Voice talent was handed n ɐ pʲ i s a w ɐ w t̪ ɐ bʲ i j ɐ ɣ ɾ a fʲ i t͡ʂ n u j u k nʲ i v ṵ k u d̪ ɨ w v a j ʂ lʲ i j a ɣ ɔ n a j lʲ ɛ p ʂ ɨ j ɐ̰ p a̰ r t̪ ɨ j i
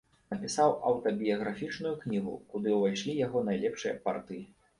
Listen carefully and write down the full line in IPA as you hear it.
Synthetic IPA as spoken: n ɐ pʲ i s a w ɐ w t̪ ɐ bʲ i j ɐ ɣ ɾ a fʲ i t͡ʂ n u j u k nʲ i ɣ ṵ k u d̪ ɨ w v a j ʂ lʲ i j a ɣ ɔ n a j lʲ ɛ p ʂ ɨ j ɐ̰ p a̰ r t̪ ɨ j i